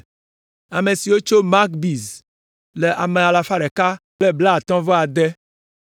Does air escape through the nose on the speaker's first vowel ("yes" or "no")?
no